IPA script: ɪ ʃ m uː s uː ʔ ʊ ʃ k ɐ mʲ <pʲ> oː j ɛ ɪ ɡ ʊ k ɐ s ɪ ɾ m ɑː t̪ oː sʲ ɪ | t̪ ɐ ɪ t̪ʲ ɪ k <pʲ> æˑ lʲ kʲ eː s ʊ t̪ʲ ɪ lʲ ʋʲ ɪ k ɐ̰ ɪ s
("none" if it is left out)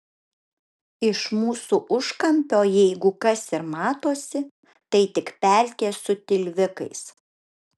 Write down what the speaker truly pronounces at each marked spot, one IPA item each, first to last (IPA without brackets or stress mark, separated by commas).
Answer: pʲ, pʲ